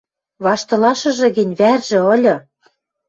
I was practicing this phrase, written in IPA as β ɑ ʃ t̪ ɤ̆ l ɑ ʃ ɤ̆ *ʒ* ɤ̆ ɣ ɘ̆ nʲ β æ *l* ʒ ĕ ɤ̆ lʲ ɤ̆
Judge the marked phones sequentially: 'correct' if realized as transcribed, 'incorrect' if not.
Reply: correct, incorrect: r

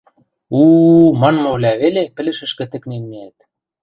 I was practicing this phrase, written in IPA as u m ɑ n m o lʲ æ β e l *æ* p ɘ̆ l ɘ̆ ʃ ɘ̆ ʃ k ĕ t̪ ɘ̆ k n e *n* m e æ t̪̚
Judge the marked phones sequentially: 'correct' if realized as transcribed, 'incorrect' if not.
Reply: incorrect: e, correct

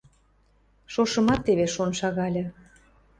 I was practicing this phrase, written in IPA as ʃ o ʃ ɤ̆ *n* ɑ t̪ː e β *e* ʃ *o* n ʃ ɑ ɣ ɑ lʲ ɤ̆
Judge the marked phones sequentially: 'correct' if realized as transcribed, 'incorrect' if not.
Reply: incorrect: m, correct, correct

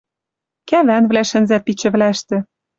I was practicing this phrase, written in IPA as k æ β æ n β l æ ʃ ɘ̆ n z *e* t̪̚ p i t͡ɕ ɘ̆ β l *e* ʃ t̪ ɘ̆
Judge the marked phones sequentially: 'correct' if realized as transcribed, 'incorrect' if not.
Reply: incorrect: æ, incorrect: æ

